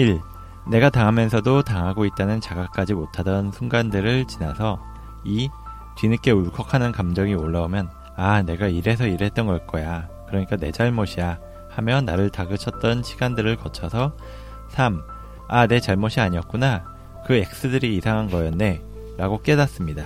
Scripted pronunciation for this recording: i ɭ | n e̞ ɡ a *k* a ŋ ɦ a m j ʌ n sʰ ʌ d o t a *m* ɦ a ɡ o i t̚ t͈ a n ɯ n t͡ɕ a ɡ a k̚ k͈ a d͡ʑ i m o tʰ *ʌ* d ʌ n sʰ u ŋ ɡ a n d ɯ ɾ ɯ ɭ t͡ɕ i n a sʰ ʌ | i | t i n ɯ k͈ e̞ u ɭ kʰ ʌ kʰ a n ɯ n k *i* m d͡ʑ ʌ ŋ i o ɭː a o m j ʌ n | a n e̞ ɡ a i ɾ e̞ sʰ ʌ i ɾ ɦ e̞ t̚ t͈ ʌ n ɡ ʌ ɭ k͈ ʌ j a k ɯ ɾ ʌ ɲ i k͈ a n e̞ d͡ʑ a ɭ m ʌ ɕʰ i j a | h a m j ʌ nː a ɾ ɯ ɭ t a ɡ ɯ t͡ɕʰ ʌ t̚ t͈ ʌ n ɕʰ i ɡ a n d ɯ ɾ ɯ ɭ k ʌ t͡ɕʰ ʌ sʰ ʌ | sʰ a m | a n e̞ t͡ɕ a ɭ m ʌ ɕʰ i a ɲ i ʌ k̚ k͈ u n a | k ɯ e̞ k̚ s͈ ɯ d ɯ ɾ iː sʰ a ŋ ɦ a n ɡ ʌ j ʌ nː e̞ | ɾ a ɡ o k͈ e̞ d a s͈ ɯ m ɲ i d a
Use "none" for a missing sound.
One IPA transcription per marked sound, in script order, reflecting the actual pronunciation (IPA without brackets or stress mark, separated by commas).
t, ŋ, a, a